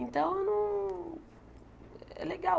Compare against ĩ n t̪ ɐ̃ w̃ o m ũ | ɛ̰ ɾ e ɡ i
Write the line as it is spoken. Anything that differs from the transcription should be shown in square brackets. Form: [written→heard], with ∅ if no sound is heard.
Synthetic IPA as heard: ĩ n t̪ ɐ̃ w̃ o [m→n] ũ | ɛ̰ [ɾ→l] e ɡ [i→a]